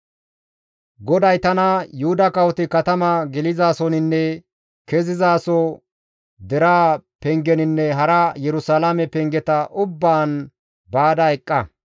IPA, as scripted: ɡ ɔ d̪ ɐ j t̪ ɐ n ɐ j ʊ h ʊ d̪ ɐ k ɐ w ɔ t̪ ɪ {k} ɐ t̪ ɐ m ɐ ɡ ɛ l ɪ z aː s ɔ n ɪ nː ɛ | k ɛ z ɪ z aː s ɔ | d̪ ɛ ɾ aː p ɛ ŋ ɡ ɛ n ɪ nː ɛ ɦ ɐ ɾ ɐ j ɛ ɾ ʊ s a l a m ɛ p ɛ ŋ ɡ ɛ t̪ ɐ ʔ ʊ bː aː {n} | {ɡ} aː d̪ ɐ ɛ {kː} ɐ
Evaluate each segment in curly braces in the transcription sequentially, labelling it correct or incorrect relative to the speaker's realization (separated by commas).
correct, correct, incorrect, incorrect